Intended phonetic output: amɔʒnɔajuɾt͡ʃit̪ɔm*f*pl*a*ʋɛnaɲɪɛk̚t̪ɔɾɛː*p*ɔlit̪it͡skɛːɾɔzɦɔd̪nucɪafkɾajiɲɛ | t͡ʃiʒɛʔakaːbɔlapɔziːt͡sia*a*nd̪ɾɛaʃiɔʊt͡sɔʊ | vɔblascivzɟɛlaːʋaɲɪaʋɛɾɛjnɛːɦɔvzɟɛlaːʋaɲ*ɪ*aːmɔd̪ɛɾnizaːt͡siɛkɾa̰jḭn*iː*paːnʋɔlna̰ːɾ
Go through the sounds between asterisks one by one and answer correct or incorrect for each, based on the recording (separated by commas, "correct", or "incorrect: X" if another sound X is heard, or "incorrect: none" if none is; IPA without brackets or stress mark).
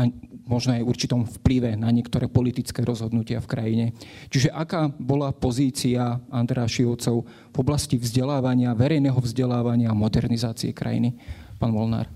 correct, incorrect: i, correct, correct, correct, incorrect: i